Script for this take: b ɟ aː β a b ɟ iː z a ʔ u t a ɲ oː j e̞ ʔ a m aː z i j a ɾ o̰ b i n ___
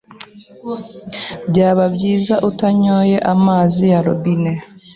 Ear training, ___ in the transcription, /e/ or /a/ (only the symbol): e